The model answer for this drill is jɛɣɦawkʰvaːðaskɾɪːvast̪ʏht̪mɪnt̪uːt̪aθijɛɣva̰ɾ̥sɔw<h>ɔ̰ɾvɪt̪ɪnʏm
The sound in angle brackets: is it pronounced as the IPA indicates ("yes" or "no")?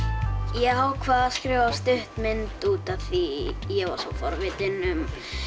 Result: no